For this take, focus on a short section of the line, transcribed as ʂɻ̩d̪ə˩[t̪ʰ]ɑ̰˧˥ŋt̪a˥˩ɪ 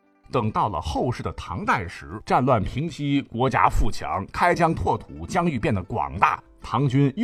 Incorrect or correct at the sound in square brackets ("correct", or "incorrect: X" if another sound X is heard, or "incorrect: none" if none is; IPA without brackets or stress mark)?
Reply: correct